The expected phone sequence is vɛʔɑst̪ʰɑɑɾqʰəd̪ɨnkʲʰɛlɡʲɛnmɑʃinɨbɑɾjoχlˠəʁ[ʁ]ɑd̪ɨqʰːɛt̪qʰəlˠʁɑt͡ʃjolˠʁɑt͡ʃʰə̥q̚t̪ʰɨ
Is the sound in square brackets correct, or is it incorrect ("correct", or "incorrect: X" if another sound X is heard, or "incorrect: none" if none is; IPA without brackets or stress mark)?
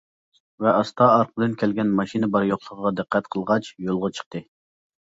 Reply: correct